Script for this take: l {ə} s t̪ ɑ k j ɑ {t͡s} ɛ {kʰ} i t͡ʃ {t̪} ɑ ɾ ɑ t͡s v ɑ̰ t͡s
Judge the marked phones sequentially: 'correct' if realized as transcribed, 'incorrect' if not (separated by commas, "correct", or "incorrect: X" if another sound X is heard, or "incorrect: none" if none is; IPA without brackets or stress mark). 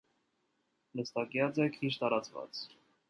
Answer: correct, correct, correct, correct